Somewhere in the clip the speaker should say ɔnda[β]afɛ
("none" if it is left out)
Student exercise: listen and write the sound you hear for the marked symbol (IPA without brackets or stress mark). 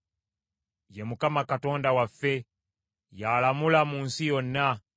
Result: w